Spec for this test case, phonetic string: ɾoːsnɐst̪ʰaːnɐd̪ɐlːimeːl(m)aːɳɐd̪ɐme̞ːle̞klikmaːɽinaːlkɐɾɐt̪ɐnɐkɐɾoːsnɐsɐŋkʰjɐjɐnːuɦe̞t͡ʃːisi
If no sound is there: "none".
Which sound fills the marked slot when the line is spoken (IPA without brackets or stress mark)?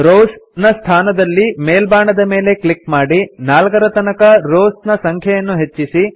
b